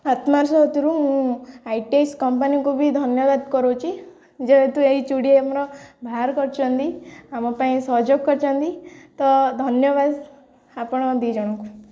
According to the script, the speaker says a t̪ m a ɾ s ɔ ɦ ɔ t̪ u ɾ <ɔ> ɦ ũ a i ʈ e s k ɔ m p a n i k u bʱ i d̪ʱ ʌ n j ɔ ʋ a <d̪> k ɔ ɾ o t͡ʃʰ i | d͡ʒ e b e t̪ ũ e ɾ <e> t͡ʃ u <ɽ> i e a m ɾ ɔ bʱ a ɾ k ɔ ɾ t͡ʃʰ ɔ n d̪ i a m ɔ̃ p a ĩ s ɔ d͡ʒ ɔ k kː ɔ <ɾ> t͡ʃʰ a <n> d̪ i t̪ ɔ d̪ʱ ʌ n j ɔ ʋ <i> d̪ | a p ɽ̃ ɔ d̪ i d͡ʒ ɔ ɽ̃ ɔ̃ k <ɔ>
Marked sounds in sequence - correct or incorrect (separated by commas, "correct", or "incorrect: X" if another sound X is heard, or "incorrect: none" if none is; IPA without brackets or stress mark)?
incorrect: u, correct, incorrect: i, correct, correct, correct, incorrect: a, incorrect: u